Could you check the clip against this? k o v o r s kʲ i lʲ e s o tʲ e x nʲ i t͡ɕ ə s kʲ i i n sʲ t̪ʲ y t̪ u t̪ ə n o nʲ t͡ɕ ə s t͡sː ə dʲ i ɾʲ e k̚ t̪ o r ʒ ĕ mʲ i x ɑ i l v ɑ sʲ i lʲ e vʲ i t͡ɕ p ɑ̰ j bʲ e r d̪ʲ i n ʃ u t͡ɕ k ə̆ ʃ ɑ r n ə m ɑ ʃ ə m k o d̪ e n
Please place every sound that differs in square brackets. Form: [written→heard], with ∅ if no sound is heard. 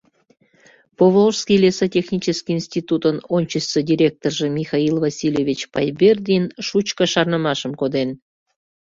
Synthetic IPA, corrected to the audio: [k→p] o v o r s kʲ i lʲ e s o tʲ e x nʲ i t͡ɕ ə s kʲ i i n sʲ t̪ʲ [y→i] t̪ u t̪ ə n o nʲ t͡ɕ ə s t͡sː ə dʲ i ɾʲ e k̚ t̪ o r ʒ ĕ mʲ i x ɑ i l v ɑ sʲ i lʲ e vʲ i t͡ɕ p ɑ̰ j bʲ e r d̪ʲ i n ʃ u t͡ɕ k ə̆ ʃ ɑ r n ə m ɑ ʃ ə m k o d̪ e n